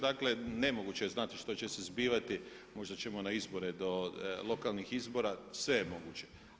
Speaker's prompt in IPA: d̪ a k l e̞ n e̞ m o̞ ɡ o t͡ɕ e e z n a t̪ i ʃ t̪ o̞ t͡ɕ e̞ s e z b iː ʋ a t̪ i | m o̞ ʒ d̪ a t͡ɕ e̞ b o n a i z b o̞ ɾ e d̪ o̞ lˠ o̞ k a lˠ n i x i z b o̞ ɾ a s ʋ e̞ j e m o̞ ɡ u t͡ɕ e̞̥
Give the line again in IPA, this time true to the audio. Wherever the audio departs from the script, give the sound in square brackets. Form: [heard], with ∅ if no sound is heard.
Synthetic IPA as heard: d̪ a k l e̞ n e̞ m o̞ ɡ [u] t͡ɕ e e z n a t̪ i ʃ t̪ o̞ t͡ɕ e̞ s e z b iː ʋ a t̪ i | m o̞ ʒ d̪ a t͡ɕ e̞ [m] o n a i z b o̞ ɾ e d̪ o̞ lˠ o̞ k a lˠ n i x i z b o̞ ɾ a s ʋ e̞ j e m o̞ ɡ u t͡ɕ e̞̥